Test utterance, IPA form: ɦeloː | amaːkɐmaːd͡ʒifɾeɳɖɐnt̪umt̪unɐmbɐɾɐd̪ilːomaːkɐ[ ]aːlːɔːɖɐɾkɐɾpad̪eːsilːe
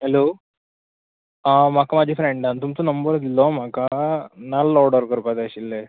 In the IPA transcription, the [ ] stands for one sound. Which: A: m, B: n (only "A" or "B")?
B